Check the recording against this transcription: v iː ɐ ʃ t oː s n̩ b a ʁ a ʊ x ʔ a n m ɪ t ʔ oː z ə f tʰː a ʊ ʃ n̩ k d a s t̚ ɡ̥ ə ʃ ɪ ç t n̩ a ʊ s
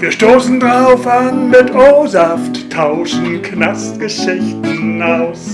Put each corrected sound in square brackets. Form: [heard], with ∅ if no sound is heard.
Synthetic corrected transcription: v iː ɐ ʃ t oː s n̩ [d] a ʁ a ʊ [f] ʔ a n m ɪ t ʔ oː z [a] f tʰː a ʊ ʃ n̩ k [n] a s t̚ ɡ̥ ə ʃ ɪ ç t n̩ a ʊ s